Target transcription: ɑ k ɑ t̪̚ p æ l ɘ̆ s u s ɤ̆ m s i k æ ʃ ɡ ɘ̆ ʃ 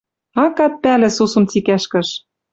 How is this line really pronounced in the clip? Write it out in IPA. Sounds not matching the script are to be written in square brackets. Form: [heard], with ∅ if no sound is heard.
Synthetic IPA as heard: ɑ k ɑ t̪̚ p æ l ɘ̆ s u s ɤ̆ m [t͡s] i k æ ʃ [k] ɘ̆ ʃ